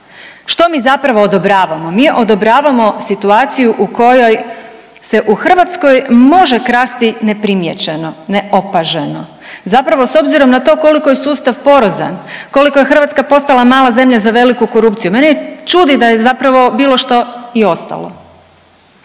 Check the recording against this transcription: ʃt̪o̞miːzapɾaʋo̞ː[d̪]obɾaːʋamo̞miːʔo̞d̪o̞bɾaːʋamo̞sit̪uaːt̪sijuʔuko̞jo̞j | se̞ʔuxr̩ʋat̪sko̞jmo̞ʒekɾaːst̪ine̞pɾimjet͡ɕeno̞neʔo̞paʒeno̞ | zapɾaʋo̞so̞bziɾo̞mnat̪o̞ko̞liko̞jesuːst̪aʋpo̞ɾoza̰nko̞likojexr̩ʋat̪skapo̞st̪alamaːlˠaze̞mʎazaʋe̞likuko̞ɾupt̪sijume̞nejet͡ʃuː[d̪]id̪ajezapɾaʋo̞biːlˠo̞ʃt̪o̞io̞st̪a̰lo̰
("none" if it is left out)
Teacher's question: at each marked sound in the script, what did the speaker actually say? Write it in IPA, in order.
d̪, d̪

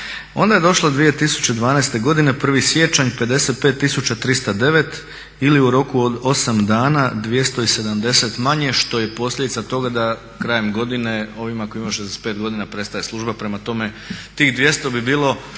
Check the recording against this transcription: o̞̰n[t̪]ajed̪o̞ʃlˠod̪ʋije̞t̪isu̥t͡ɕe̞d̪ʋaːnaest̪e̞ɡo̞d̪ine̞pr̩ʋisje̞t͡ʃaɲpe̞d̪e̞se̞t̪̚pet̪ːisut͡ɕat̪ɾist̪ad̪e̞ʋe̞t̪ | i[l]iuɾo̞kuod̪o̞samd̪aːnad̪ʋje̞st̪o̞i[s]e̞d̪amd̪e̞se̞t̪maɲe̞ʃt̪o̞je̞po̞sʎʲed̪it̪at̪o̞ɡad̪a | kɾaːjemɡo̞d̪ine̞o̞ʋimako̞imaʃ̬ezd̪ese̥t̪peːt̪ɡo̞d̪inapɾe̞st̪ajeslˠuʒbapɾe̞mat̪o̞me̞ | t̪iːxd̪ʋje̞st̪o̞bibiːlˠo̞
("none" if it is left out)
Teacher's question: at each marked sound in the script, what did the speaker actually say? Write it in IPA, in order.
d̪, l, s

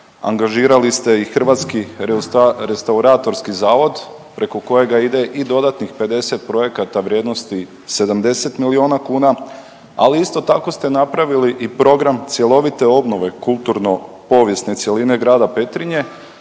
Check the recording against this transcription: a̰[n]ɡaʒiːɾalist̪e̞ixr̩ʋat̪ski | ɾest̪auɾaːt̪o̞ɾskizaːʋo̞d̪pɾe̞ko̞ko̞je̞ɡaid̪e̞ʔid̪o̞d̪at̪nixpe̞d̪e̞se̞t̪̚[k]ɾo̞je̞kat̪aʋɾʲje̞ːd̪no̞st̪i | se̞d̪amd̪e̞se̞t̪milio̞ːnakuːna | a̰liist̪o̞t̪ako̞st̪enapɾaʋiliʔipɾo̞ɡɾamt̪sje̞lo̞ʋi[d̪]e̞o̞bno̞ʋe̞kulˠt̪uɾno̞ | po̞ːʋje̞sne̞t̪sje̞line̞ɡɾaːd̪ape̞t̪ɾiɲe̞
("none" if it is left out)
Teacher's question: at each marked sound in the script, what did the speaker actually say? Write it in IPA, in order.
ŋ, p, t̪

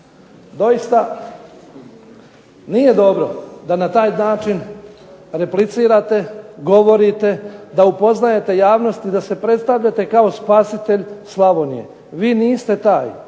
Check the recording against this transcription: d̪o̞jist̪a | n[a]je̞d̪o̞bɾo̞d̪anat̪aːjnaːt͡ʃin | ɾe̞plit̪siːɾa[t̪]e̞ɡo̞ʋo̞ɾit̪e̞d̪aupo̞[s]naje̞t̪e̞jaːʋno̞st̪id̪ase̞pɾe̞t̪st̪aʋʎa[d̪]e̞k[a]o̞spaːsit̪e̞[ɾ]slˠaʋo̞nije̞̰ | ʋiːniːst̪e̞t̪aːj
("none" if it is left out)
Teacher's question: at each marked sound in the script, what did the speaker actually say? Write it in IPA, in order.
i, t̪, z, t̪, a, ʎ

